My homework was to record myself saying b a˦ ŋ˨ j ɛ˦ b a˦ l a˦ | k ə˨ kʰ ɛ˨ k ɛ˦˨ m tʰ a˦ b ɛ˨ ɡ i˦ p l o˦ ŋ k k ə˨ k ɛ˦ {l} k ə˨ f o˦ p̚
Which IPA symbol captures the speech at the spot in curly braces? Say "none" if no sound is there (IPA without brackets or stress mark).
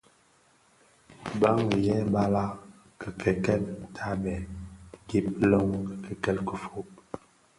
l